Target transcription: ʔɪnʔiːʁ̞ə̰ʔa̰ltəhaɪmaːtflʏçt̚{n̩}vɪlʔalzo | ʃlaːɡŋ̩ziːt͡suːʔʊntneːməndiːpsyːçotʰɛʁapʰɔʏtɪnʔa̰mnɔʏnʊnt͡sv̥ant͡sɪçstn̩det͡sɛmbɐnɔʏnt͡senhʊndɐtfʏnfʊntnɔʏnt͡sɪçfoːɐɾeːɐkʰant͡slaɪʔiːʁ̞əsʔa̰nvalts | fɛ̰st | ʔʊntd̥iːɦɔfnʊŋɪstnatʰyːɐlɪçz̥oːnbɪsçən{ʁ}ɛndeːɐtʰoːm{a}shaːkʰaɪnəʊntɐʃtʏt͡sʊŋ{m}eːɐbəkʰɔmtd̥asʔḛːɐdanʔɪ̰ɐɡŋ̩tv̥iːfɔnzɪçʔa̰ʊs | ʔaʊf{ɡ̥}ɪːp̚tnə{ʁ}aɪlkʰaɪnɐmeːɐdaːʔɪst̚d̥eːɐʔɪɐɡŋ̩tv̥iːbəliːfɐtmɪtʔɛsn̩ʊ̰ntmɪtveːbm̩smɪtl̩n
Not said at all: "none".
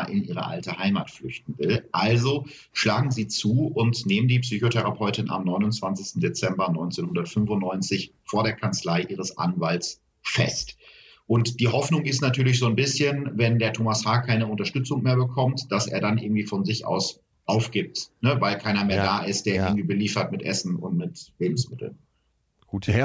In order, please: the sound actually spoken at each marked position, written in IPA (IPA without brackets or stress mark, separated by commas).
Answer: n̩, v, a, m, ɡ̥, v